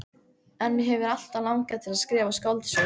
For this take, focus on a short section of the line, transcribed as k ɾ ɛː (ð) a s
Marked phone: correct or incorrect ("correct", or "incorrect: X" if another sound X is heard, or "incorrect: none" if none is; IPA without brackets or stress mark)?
incorrect: v